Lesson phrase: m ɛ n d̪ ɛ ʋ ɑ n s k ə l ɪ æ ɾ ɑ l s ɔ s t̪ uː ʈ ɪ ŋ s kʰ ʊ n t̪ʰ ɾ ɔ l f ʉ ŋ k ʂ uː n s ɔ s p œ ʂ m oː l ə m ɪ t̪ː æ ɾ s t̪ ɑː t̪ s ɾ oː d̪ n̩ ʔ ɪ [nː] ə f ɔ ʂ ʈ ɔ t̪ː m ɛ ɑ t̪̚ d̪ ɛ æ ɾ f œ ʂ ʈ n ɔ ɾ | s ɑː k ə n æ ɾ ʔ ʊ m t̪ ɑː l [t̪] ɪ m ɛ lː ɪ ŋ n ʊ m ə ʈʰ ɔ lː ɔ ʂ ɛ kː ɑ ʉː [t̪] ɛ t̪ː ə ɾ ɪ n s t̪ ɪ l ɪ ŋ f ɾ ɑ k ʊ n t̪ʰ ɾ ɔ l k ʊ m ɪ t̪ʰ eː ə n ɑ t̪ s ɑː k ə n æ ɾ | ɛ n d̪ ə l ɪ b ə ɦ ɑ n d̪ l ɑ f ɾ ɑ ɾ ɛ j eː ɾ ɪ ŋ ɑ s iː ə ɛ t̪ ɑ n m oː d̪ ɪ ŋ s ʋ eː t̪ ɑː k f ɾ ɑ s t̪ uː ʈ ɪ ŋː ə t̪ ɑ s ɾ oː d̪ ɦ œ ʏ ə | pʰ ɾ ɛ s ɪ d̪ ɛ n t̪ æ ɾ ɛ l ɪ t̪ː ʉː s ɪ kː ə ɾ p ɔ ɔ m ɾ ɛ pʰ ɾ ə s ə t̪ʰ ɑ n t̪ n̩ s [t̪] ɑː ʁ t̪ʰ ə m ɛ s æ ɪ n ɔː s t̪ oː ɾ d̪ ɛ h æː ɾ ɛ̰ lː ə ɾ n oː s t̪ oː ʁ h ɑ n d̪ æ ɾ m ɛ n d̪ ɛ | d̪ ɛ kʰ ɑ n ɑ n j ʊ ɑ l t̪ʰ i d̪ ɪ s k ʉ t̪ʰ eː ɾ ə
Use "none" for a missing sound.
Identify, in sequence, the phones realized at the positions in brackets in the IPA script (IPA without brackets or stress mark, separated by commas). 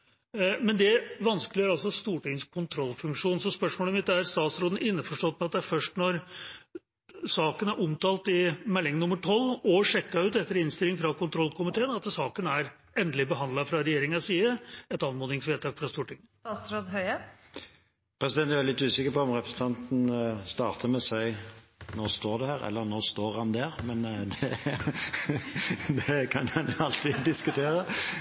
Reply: nː, t̪, t̪, t̪